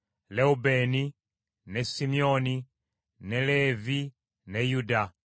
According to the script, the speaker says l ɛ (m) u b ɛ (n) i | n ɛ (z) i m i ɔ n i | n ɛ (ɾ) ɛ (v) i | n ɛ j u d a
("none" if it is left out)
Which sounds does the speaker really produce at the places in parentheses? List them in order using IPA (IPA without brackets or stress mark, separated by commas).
none, n, s, l, v